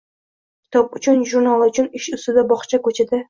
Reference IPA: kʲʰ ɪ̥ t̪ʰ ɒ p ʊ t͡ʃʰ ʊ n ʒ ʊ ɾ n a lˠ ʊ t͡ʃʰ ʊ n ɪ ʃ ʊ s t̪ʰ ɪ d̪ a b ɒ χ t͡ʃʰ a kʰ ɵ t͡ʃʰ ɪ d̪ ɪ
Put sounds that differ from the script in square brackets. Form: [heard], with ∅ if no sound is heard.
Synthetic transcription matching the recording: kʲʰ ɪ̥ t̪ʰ ɒ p ʊ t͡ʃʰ ʊ n ʒ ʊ ɾ n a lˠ ʊ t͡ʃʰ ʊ n ɪ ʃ ʊ s [t̪] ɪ d̪ a b ɒ χ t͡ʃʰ a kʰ ɵ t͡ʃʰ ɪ d̪ ɪ